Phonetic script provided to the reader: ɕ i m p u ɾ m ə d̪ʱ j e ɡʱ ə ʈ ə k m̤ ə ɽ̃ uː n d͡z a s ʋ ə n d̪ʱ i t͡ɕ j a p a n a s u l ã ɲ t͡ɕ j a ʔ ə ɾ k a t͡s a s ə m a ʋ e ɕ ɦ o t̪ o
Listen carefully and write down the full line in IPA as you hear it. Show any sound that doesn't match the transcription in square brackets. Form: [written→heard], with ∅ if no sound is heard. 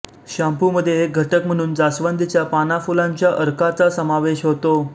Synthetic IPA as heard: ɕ [i→a] m p u [ɾ→∅] m ə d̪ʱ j e ɡʱ ə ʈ ə k m̤ ə ɽ̃ uː n d͡z a s ʋ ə n d̪ʱ i t͡ɕ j a p a n a [s→f] u l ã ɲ t͡ɕ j a ʔ ə ɾ k a t͡s a s ə m a ʋ e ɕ ɦ o t̪ o